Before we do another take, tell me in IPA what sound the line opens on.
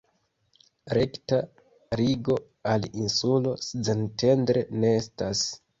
ɾ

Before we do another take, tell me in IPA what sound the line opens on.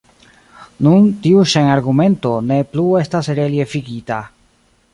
n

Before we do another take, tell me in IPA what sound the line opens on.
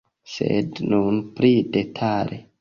s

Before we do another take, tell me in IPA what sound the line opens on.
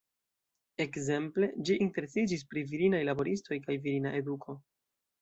e̞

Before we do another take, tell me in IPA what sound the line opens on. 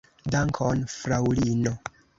d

